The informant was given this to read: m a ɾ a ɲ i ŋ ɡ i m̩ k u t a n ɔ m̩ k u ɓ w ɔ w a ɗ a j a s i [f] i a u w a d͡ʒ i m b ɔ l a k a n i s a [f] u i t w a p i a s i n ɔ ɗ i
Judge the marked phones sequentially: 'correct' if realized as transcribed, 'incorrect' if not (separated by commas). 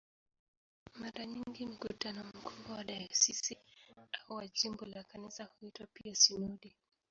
incorrect, incorrect